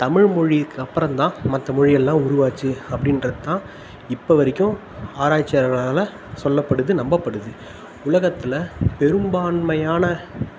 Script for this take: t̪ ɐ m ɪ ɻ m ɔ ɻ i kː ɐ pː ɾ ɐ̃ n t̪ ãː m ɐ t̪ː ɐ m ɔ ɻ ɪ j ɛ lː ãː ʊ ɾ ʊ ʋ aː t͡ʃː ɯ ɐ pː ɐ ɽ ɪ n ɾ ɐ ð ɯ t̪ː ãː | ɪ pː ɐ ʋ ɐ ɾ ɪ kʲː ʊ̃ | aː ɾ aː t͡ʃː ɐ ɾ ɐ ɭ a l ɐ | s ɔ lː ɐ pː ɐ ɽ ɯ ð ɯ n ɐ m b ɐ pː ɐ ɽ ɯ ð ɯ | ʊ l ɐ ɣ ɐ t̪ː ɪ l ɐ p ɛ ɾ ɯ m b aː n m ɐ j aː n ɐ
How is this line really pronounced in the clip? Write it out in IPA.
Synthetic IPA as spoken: t̪ ɐ m ɪ ɻ m ɔ ɻ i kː ɐ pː ɾ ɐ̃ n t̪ ãː m ɐ t̪ː ɐ m ɔ ɻ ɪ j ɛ lː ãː ʊ ɾ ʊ ʋ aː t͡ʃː ɯ ɐ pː ɐ ɽ ɪ n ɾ ɐ ð ɯ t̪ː ãː | ɪ pː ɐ ʋ ɐ ɾ ɪ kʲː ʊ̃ | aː ɾ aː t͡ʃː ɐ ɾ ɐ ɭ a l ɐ | s ɔ lː ɐ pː ɐ ɽ ɯ ð ɯ n ɐ m b ɐ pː ɐ ɽ ɯ ð ɯ | ʊ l ɐ ɣ ɐ t̪ː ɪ l ɐ p ɛ ɾ ɯ m b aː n m ɐ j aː n ɐ